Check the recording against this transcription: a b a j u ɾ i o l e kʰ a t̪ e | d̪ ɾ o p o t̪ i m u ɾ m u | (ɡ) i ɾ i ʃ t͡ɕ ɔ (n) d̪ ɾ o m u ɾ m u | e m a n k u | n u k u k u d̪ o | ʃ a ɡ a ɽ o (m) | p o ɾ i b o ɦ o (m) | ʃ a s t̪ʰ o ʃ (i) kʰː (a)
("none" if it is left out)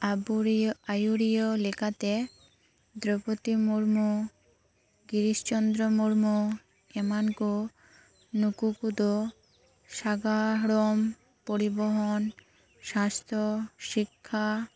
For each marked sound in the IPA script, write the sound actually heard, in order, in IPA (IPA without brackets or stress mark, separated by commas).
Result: ɡ, n, m, n, i, a